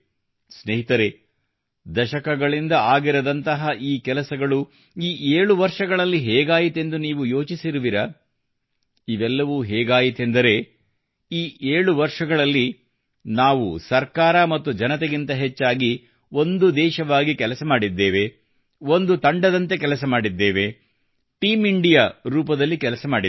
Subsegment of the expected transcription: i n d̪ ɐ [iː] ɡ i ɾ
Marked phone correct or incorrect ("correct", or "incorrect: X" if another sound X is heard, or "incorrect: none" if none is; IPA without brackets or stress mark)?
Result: incorrect: aː